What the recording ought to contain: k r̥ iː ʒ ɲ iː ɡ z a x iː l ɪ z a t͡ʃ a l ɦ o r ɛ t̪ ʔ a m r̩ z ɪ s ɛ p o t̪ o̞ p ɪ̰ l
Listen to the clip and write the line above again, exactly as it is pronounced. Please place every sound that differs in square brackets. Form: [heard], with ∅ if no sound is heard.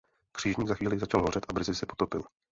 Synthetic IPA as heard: k r̥ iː ʒ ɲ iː ɡ z a x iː l ɪ z a t͡ʃ a l ɦ o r ɛ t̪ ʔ a [b] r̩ z ɪ s ɛ p o t̪ o̞ p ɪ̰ l